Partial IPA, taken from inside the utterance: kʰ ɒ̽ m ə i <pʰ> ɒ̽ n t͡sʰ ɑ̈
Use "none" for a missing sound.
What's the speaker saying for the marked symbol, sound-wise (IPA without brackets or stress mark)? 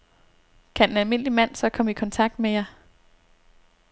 kʰ